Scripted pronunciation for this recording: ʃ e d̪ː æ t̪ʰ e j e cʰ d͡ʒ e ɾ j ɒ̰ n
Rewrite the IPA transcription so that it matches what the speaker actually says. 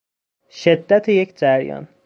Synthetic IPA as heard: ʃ e d̪ː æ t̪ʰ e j e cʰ d͡ʒ æ ɾ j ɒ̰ n